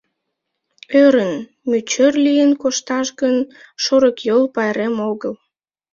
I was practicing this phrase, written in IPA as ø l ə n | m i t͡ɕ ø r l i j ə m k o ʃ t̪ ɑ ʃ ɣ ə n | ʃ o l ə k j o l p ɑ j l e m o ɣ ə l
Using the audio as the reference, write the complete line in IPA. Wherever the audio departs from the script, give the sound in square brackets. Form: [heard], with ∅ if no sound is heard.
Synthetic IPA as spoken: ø [ɾ] ə n | m [y] t͡ɕ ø r l i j ə [n] k o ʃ t̪ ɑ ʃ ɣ ə n | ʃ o [ɾ] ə k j o l p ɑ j [ɾ] e m o ɣ ə l